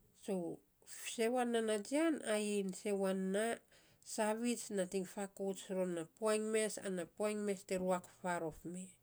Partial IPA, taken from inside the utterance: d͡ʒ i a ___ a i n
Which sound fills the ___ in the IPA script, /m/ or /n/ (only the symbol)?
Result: n